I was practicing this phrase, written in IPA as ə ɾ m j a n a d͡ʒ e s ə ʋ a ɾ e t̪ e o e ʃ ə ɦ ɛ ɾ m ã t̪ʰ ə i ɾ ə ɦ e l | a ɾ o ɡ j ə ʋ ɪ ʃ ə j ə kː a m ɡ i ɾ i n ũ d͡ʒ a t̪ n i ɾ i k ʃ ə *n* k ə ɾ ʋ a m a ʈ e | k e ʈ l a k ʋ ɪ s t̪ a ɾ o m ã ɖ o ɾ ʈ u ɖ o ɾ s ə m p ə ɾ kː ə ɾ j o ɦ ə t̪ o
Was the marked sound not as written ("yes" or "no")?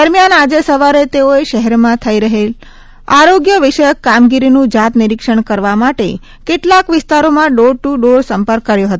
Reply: yes